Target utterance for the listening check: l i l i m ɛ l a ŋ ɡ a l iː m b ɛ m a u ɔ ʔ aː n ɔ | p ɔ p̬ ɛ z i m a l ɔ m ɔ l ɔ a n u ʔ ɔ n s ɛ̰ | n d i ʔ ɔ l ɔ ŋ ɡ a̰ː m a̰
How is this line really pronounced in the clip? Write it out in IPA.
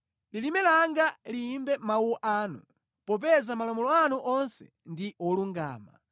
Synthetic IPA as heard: l i l i m ɛ l a ŋ ɡ a l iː m b ɛ m a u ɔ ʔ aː n u | p ɔ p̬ ɛ z a m a l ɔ m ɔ l ɔ a n u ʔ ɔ n s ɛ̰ | n d i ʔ ɔ l u ŋ ɡ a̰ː m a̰

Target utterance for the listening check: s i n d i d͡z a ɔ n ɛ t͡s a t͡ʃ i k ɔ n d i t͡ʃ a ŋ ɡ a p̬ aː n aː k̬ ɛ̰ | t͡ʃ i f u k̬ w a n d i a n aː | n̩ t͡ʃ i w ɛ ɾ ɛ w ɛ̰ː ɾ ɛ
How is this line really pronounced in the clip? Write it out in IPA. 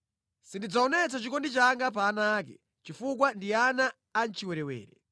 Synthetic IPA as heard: s i n d i d͡z a ɔ n ɛ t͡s a t͡ʃ i k ɔ n d i t͡ʃ a ŋ ɡ a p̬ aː n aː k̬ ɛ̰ | t͡ʃ i f u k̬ w a n d i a n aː | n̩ t͡ʃ i w ɛ ɾ ɛ w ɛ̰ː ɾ ɛ

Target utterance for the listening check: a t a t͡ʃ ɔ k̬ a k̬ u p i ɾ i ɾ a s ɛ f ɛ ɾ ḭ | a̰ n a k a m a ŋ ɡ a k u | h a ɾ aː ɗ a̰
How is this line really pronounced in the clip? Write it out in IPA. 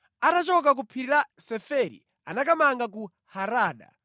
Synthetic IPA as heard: a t a t͡ʃ ɔ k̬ a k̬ u pʰ i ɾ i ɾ a s ɛ f ɛ ɾ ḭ | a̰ n a k a m a ŋ ɡ a k u | h a ɾ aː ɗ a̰

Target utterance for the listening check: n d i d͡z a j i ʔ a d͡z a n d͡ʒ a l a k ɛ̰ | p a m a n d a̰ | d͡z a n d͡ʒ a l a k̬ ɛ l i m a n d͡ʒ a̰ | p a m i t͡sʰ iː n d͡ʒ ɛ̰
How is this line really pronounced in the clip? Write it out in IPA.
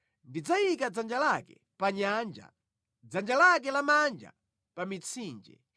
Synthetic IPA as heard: n d i d͡z a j i k a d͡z a n d͡ʒ a l a k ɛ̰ | p a ɲ a n d͡ʒ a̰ | d͡z a n d͡ʒ a l a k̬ ɛ l a m a n d͡ʒ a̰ | p a m i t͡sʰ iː n d͡ʒ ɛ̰

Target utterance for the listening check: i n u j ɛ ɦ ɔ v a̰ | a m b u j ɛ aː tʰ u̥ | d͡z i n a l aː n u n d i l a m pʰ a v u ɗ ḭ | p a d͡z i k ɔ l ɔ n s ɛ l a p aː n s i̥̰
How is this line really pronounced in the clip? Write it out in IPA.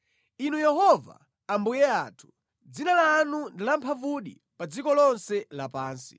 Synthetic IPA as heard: i n u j ɛ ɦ ɔ v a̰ | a m b u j ɛ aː tʰ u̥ | d͡z i n a l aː n u n d i l a m pʰ a v u ɗ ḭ | p a d͡z i k ɔ l ɔ n s ɛ l a p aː n s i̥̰

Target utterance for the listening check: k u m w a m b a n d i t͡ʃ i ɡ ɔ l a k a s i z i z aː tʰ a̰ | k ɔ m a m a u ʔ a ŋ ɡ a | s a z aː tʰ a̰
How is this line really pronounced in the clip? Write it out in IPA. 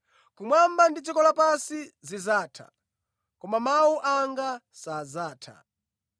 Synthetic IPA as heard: k u m w a m b a n d i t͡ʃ i k ɔ l a p a s i z i z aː tʰ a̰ | k ɔ m a m a u ʔ a ŋ ɡ a | s a z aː tʰ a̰

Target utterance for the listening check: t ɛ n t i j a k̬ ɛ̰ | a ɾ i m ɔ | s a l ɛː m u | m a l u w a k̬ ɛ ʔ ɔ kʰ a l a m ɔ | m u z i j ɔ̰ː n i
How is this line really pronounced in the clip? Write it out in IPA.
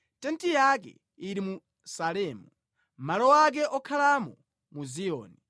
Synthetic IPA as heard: t ɛ n t i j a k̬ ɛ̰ | i ɾ i m u | s a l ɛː m u | m a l ɔ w a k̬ ɛ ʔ ɔ kʰ a l a m ɔ | m u z i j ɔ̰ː n i

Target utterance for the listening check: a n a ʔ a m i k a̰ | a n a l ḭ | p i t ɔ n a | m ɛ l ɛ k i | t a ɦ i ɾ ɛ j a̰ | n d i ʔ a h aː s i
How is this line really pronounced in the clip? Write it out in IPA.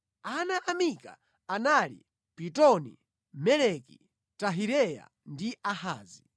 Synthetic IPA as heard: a n a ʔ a m i k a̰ | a n a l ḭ | p i t ɔ n i | m ɛ l ɛ k i | t a ɦ i ɾ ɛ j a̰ | n d i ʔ a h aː z i

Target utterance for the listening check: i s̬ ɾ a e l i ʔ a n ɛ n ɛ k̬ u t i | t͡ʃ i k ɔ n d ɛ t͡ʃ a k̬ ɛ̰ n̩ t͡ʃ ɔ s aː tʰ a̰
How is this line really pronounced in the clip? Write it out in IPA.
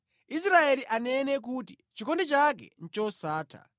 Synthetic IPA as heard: i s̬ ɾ a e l i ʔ a n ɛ n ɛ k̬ u t i | t͡ʃ i k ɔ n d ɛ t͡ʃ a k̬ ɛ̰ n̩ t͡ʃ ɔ s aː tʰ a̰

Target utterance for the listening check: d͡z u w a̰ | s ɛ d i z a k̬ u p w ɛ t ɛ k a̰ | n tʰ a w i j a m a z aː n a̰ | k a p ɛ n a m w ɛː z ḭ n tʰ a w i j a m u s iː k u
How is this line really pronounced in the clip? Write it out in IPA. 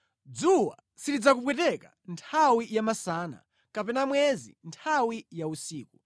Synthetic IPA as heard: d͡z u w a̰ | s i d i d͡z a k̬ u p w ɛ t ɛ k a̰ | n tʰ a w i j a m a s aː n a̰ | k a p ɛ n a m w ɛ z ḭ n tʰ a w i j a u s iː k u

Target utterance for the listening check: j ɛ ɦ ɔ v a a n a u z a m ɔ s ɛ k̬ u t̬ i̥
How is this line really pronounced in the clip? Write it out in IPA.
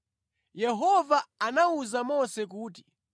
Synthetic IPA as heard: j ɛ ɦ ɔ v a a n a u z a m ɔ s ɛ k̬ uː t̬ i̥

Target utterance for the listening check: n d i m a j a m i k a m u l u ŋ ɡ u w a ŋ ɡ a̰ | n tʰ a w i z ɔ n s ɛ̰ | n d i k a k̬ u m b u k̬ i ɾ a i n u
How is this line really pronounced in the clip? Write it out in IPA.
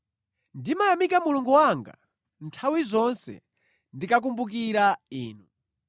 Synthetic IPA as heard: n d i m a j a m i k a m u l u ŋ ɡ u w a ŋ ɡ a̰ | n tʰ a w i z ɔ n s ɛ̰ | n d i k a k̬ u m b u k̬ i ɾ a iː n u

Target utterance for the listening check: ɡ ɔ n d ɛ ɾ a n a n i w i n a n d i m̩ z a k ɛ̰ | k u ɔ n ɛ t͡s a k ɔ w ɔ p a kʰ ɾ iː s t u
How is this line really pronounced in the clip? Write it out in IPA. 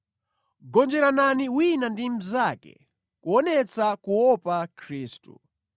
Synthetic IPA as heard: ɡ ɔ n d͡ʒ ɛ ɾ a n a n i w i n a n d i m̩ z a k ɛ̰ | k u ɔ n ɛ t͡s a k u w ɔ p a kʰ ɾ iː s t u

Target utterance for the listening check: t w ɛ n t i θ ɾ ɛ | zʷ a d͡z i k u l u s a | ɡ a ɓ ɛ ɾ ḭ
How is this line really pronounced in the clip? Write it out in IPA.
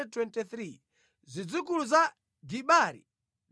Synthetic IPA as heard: t w ɛ n t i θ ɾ i | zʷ i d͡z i k u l u z a | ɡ i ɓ a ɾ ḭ

